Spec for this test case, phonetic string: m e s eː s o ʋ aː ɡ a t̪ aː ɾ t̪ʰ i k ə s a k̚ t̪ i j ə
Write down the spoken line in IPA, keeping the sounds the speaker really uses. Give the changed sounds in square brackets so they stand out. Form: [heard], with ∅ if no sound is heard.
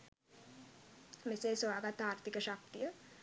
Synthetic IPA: m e s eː s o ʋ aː ɡ a t̪ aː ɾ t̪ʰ i k ə [ʃ] a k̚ t̪ i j ə